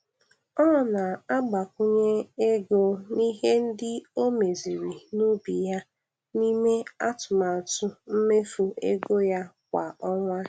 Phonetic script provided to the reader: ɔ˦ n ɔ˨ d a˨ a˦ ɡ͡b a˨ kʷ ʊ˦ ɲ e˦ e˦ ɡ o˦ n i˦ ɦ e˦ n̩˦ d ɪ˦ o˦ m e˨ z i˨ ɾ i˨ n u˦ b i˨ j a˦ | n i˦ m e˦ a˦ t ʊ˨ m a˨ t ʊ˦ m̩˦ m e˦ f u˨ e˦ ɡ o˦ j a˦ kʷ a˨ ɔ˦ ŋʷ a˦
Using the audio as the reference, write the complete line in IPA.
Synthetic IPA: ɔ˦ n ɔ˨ n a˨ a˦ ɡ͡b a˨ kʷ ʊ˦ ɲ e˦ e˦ ɡ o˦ n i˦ ɦ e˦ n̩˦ d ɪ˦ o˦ m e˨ z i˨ ɾ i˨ n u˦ b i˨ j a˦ | n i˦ m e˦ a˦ t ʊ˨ m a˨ t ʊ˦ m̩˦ m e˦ f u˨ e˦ ɡ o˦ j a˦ kʷ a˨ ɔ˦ ŋʷ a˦